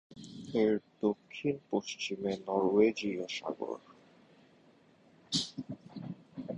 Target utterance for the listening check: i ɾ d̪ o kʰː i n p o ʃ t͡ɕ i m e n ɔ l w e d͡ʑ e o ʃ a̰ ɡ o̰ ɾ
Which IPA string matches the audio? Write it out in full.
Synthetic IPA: e ɾ d̪ o kʰː i n p o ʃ t͡ɕ i m e n ɔ ɾ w e d͡ʑ i o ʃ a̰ ɡ o̰ ɾ

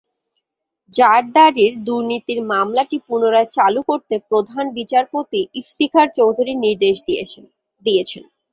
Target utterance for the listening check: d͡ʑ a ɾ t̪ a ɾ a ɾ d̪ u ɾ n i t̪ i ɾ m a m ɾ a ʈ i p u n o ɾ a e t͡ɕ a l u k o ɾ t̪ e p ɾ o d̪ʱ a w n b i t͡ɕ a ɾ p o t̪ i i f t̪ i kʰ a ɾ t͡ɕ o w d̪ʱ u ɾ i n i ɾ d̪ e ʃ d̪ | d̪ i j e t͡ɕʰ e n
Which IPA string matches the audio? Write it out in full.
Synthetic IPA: d͡ʑ a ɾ d̪ a ɾ i ɾ d̪ u ɾ n i t̪ i ɾ m a m l a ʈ i p u n o ɾ a e t͡ɕ a l u k o ɾ t̪ e p ɾ o d̪ʱ a n b i t͡ɕ a ɾ p o t̪ i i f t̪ i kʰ a ɾ t͡ɕ o w d̪ʱ u ɾ i n i ɾ d̪ e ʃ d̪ | d̪ i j e t͡ɕʰ e n

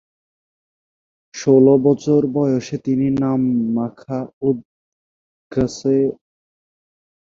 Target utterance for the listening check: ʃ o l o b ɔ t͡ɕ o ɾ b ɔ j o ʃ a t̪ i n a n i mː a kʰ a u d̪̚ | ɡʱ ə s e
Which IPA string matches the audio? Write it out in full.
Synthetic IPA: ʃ o l o b ɔ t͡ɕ o ɾ b ɔ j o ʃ e t̪ i n i n a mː a kʰ a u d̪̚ | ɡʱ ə s e

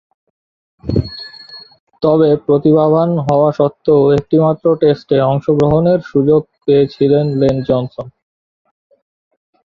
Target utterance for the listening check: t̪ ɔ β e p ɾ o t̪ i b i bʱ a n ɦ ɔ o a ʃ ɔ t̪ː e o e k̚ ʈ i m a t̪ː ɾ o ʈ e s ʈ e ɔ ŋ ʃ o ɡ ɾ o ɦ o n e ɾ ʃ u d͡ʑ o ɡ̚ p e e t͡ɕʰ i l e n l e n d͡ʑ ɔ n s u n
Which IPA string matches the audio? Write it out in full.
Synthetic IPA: t̪ ɔ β e p ɾ o t̪ i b a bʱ a n ɦ ɔ o a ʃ ɔ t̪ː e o e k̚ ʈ i m a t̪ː ɾ o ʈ e s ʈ e ɔ ŋ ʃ o ɡ ɾ o ɦ o n e ɾ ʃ u d͡ʑ o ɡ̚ p e e t͡ɕʰ i l e n l e n d͡ʑ ɔ n s o n

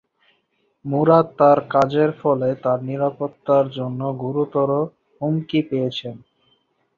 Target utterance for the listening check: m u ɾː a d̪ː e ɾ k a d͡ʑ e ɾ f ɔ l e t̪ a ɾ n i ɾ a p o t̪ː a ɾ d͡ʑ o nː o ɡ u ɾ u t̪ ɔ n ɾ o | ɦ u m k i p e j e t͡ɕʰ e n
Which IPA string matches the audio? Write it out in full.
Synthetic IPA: m u ɾ a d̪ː a ɾ k a d͡ʑ e ɾ f ɔ l e t̪ a ɾ n i ɾ a p o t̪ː a ɾ d͡ʑ o nː o ɡ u ɾ u t̪ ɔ ɾ o | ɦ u m k i p e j e t͡ɕʰ e n

